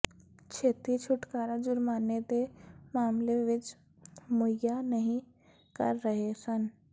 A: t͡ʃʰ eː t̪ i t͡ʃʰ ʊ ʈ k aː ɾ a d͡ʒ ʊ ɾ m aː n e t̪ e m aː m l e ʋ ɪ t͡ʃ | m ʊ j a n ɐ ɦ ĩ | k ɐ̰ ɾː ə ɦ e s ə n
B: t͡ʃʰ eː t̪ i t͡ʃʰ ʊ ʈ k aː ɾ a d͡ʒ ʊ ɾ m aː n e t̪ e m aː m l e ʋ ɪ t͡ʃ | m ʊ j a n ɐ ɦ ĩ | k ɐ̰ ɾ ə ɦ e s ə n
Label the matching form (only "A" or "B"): A